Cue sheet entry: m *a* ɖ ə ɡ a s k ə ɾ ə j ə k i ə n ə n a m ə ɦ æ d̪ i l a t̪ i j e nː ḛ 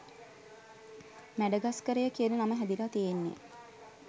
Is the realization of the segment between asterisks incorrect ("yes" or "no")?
yes